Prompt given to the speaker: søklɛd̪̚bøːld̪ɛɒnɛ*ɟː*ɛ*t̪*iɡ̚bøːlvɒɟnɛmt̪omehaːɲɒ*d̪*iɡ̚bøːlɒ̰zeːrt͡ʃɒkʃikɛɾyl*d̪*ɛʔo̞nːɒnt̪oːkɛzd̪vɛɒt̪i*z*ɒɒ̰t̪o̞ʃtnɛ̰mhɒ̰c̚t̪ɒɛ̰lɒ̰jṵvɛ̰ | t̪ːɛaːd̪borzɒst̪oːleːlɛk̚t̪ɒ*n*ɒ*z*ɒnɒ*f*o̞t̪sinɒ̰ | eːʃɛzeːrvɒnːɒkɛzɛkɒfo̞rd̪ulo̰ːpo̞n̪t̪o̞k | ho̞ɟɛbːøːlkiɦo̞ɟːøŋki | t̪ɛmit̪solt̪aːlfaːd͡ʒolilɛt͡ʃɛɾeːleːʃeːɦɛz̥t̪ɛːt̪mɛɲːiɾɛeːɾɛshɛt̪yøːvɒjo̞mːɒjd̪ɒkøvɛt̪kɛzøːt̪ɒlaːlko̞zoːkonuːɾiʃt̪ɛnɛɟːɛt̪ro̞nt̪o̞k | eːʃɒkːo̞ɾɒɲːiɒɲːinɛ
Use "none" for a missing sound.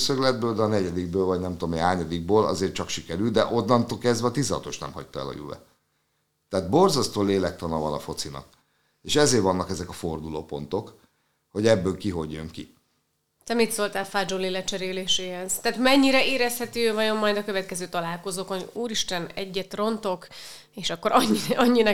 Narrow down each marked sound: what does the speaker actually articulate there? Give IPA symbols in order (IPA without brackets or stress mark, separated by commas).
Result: ɟ, d̪, d̪, d̪, z, n, v, f